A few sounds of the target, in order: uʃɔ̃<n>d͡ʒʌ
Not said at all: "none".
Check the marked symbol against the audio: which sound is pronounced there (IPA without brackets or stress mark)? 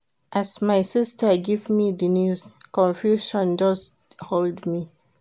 n